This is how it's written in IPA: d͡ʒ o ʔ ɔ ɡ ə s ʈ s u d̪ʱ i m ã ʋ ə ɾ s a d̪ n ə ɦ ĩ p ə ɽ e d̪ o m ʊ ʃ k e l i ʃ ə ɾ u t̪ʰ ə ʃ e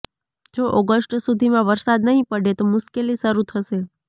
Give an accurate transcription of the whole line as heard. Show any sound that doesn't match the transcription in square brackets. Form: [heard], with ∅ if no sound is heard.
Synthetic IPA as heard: d͡ʒ o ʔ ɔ ɡ ə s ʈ s u d̪ʱ i m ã ʋ ə ɾ s a d̪ n ə ɦ ĩ p ə ɽ e [t̪] o m ʊ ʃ k e l i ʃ ə ɾ u t̪ʰ ə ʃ e